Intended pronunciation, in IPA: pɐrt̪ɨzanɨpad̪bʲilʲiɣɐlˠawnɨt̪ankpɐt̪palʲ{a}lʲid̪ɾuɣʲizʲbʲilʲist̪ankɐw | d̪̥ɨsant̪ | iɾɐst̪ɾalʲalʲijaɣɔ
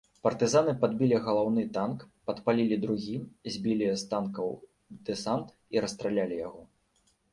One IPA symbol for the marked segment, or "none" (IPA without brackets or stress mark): i